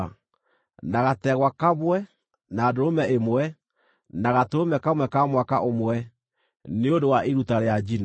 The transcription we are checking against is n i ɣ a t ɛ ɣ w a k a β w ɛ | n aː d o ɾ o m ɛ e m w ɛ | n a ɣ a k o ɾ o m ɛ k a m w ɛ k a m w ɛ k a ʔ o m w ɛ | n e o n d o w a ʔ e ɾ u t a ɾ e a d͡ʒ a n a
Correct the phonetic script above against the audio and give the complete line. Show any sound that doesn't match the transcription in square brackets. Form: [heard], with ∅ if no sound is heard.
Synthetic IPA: n [a] ɣ a t ɛ ɣ w a k a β w ɛ | n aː d o ɾ o m ɛ e m w ɛ | n a ɣ a [t] o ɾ o m ɛ k a m w ɛ k a m w [a] k a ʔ o m w ɛ | n e o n d o w a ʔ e ɾ u t a ɾ e a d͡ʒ [i] n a